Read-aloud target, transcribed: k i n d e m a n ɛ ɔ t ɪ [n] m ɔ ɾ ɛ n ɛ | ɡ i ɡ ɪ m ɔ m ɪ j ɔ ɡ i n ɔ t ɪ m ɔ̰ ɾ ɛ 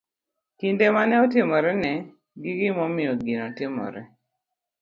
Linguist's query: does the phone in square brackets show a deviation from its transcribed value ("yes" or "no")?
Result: yes